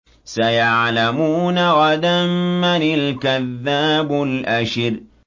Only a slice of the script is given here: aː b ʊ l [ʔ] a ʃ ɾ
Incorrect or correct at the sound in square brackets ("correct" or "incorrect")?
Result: correct